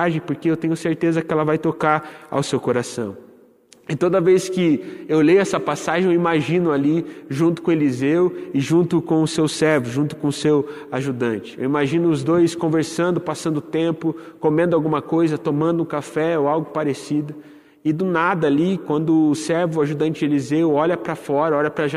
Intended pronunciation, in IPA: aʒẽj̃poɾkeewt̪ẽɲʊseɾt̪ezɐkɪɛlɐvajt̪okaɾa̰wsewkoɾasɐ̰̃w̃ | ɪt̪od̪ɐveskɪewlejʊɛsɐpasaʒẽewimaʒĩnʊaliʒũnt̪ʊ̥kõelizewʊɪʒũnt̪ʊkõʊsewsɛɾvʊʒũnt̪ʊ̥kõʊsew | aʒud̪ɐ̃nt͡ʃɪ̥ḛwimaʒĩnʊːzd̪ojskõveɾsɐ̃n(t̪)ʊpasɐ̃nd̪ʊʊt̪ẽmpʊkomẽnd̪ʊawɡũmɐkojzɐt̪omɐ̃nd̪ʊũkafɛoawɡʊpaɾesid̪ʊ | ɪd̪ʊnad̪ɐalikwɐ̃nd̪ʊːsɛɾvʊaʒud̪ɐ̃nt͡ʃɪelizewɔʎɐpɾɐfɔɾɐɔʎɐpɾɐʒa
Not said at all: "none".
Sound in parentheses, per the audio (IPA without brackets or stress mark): d̪